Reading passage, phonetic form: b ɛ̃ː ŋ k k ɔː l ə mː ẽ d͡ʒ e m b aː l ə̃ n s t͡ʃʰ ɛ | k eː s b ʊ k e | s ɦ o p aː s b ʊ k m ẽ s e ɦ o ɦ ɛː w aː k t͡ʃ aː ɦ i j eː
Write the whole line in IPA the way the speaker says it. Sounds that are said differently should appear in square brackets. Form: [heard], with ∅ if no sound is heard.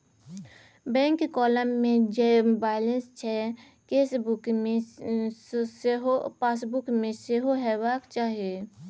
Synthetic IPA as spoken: b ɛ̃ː ŋ k k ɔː l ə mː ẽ d͡ʒ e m b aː l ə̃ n s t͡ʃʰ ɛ | k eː s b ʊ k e | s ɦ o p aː s b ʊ k m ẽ s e ɦ o ɦ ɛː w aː k t͡ʃ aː ɦ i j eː

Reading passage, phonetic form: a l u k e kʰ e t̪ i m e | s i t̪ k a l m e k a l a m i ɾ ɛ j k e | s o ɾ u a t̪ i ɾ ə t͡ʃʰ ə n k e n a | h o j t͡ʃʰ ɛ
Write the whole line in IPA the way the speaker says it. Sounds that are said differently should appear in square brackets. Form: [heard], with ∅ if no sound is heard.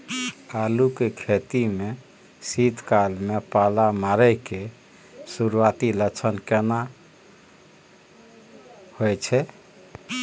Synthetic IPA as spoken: a l u k e kʰ e t̪ i m e | s i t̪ k a l m e [p] a l a m [a] ɾ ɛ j k e | s [u] ɾ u a t̪ i [l] ə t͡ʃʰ ə n k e n a | h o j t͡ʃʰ ɛ

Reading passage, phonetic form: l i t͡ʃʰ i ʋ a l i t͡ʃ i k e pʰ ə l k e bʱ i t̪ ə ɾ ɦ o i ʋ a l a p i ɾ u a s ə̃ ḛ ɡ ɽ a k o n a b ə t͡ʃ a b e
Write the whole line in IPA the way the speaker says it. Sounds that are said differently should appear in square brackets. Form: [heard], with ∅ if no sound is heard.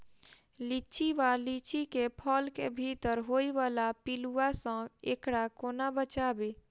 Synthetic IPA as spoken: l i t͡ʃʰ i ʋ a l i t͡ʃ i k e pʰ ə l k e bʱ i t̪ ə ɾ ɦ o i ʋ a l a p i [l] u a s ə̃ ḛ [k] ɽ a k o n a b ə t͡ʃ a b e

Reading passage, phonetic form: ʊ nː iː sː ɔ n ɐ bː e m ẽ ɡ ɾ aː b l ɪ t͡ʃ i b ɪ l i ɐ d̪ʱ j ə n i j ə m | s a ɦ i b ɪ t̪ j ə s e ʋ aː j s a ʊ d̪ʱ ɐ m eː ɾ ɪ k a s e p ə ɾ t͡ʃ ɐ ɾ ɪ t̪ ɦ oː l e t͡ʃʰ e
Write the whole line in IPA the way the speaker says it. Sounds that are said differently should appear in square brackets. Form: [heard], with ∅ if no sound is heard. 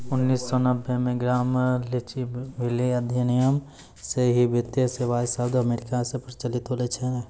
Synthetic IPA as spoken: ʊ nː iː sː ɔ n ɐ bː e m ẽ ɡ ɾ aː [m] l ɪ t͡ʃ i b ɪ l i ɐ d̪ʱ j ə n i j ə m | s [e] ɦ i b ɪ t̪ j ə s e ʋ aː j s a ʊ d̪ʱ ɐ m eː ɾ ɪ k a s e p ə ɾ t͡ʃ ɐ [l] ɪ t̪ ɦ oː l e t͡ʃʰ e

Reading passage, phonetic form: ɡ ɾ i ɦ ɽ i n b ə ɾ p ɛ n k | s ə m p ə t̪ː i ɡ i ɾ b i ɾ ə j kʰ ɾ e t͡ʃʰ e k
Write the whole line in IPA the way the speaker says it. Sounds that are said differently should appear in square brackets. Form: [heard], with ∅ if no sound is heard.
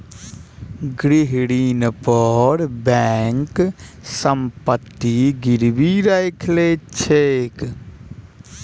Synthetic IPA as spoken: ɡ ɾ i ɦ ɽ i n [p] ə ɾ [b] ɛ [ŋ] k | s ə m p ə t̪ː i ɡ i ɾ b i ɾ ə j kʰ [l] e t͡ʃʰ e k

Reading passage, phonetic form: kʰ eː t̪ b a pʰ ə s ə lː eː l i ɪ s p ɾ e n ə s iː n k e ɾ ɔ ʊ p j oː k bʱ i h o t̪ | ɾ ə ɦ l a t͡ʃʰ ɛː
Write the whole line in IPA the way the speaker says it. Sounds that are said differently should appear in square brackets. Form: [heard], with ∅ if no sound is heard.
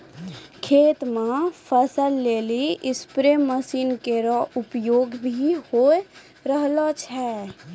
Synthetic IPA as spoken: kʰ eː t̪ [m] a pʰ ə s ə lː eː l i ɪ s p ɾ e [m] ə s iː n k e ɾ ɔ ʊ p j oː [ɡ] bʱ i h o [∅] | ɾ ə ɦ l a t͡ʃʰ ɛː

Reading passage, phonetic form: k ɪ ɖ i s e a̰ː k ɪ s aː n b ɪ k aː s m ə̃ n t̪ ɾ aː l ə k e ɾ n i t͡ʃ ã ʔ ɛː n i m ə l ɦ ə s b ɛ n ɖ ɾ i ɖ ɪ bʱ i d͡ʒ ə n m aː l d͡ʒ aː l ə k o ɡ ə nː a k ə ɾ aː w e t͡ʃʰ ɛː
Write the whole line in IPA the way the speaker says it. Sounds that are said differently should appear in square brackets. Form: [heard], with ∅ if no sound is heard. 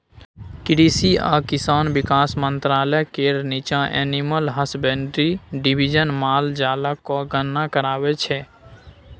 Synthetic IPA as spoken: k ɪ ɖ i s [i] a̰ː k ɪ s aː n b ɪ k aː s m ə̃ n t̪ ɾ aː l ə k e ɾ n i t͡ʃ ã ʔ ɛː n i m ə l ɦ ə s b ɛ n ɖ ɾ i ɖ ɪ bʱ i d͡ʒ ə n m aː l d͡ʒ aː l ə k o ɡ ə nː a k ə ɾ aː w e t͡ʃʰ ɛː

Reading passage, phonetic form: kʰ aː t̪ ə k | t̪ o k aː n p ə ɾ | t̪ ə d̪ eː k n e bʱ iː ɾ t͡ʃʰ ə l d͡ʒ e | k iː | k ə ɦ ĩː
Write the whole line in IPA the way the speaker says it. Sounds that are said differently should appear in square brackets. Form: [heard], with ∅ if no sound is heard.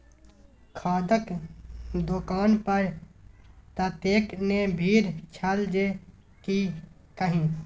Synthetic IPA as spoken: kʰ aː [d̪] ə k | [d̪] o k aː n p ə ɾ | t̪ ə [t̪] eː k n e bʱ iː ɾ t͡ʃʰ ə l d͡ʒ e | k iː | k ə ɦ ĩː

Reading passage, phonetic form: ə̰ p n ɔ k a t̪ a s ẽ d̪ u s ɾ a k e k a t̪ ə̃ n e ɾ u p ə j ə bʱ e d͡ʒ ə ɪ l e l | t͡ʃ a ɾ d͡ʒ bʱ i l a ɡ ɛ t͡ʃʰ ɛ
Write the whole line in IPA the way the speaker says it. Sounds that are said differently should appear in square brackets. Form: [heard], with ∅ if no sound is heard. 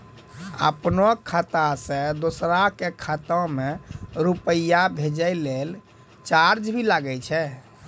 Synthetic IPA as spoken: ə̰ p n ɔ [kʰ] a t̪ a s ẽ d̪ [o] s ɾ a k e [kʰ] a t̪ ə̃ [m] e ɾ u p ə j [a] bʱ e d͡ʒ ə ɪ l e l | t͡ʃ a ɾ d͡ʒ bʱ i l a ɡ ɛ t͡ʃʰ ɛ

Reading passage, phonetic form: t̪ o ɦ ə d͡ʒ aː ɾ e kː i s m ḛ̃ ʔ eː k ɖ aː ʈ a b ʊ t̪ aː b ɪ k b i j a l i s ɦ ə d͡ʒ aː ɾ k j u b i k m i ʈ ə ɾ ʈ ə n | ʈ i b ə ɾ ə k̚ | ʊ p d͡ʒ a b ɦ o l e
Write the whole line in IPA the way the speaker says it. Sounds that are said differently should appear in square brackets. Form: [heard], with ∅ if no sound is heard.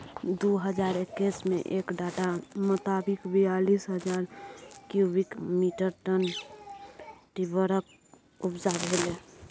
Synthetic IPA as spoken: [d̪] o ɦ ə d͡ʒ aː ɾ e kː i s m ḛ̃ ʔ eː k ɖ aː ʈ a [m] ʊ t̪ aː b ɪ k b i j a l i s ɦ ə d͡ʒ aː ɾ k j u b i k m i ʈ ə ɾ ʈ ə n | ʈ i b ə ɾ ə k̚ | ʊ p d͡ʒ a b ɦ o l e

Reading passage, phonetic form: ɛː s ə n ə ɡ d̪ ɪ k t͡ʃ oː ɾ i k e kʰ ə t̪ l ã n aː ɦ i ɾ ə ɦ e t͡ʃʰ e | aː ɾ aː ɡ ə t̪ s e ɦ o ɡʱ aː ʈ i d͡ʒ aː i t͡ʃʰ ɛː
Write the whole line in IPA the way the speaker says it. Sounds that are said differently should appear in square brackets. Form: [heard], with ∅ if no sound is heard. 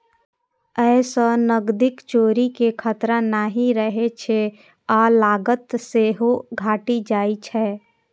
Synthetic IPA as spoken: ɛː s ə n ə ɡ d̪ ɪ k t͡ʃ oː ɾ i k e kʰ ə t̪ [ɾ] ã n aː ɦ i ɾ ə ɦ e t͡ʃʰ e | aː [l] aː ɡ ə t̪ s e ɦ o ɡʱ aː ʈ i d͡ʒ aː i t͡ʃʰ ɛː

